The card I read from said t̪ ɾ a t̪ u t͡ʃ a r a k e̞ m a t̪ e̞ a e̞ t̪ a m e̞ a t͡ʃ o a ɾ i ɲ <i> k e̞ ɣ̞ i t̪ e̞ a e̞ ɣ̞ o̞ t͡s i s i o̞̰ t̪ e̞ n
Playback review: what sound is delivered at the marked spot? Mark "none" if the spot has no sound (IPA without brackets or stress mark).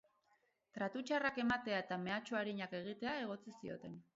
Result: a